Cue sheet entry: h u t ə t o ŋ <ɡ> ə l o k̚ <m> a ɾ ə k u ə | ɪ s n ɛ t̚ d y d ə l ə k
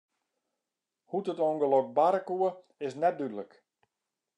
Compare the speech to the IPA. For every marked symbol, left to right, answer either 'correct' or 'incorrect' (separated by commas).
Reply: correct, incorrect